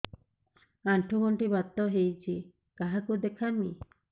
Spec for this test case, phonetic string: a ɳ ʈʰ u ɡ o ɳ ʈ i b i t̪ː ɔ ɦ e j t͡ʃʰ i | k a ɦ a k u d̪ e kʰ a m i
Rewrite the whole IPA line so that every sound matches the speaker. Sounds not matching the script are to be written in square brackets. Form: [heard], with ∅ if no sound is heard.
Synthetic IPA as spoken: a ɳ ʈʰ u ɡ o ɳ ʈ i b [a] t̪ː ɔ ɦ e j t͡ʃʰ i | k a ɦ a k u d̪ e kʰ a m i